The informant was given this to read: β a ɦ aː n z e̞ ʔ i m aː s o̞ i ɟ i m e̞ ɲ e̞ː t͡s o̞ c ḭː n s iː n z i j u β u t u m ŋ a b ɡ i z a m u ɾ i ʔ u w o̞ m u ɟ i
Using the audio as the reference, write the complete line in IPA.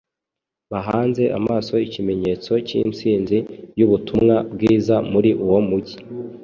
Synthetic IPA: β a ɦ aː n z e̞ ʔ a m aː s o̞ i c i m e̞ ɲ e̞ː t͡s o̞ c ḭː n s iː n z i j u β u t u m ŋ a b ɡ iː z a m u ɾ i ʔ u w o̞ m u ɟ i